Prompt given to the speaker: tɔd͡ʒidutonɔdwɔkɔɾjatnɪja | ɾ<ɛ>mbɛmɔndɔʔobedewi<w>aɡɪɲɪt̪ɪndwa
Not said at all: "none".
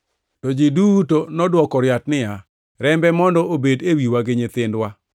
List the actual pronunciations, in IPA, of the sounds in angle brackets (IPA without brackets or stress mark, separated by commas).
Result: ɛ, w